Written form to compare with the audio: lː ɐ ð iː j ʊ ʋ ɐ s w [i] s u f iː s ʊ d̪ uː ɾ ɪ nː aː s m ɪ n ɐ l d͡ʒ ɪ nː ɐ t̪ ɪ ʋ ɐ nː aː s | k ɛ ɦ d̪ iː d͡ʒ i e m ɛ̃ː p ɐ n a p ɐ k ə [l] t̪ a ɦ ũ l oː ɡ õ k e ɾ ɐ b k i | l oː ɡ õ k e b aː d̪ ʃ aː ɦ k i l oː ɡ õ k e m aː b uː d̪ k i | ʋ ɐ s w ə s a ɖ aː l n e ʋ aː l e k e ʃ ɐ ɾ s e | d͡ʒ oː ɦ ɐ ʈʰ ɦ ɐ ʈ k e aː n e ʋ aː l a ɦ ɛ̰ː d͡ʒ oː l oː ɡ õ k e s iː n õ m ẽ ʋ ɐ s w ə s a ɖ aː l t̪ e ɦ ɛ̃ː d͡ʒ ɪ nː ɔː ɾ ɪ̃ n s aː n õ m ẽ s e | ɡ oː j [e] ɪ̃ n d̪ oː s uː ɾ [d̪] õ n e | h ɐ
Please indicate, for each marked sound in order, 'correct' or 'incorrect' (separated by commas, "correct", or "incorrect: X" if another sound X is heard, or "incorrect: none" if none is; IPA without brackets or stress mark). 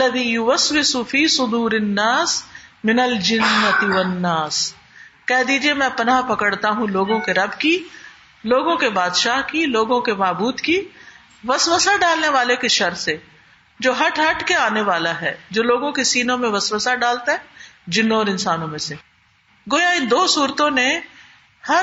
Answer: incorrect: ɪ, incorrect: ɽ, incorrect: a, incorrect: t̪